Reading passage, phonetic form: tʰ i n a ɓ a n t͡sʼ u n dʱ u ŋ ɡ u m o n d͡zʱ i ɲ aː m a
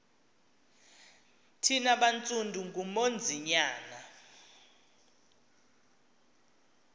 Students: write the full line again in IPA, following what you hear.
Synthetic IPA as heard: tʰ i n a ɓ a n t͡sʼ u n dʱ u ŋ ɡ u m o n d͡zʱ i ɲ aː n a